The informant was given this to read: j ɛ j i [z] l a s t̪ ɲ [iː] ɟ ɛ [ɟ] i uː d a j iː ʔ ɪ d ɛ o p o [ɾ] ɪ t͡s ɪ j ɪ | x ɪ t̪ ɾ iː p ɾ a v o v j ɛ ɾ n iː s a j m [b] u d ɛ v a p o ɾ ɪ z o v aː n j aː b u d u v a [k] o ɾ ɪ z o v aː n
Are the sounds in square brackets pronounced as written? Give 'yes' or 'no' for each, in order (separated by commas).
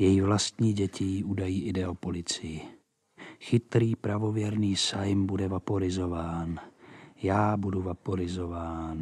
no, yes, no, no, yes, no